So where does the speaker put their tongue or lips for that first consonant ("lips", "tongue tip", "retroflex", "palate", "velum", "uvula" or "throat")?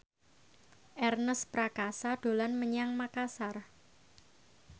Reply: throat